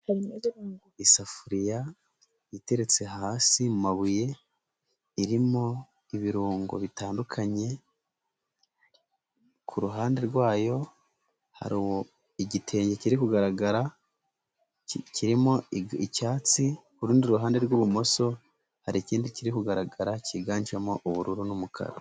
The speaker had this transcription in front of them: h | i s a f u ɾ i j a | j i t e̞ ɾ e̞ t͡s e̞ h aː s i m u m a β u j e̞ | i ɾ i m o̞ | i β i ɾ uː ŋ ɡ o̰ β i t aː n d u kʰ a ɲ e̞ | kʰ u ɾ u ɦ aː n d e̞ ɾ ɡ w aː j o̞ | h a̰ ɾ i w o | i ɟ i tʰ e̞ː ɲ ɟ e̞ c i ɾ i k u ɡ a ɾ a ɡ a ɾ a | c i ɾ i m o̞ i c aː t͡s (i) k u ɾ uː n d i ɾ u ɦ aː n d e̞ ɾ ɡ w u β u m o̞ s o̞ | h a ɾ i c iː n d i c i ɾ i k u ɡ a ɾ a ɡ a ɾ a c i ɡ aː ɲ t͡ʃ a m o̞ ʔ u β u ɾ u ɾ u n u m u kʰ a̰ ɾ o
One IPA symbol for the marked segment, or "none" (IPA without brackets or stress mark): i